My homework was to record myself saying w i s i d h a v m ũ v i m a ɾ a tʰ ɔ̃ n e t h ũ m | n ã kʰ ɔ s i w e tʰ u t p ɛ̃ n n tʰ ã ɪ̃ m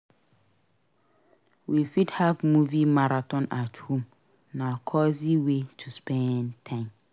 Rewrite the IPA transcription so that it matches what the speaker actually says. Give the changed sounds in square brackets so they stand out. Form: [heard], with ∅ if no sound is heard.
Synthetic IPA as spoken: w i [f] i d h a v m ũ v i m a ɾ a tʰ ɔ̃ n [a] t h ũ m | n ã kʰ ɔ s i w e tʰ u [s] p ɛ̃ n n tʰ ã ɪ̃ m